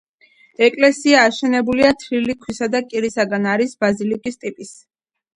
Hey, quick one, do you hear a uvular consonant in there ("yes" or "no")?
no